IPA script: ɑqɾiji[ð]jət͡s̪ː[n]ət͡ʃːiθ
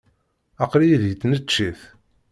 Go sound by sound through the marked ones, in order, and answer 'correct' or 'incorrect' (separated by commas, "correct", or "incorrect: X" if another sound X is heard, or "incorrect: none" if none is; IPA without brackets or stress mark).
correct, correct